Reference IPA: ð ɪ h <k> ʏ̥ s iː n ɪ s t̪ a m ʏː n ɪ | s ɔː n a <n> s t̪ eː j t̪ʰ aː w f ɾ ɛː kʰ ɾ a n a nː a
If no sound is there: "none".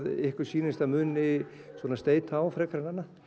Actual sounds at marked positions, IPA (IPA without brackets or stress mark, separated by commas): k, none